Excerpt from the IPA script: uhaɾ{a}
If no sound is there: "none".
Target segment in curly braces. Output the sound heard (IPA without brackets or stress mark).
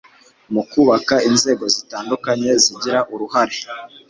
e